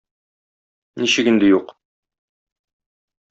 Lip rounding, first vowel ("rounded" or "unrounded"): unrounded